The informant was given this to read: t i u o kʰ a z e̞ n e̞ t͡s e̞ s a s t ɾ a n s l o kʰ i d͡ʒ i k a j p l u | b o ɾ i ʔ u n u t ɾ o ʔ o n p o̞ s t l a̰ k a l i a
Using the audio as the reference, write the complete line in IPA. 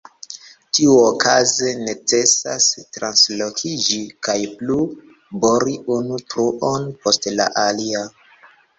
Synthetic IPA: t i u o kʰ a z e̞ n e̞ t͡s e̞ s a s t ɾ a n s l o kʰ i d͡ʒ i k a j p l u | b o ɾ i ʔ u n u t ɾ u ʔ o n p o̞ s t l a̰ ʔ a l i a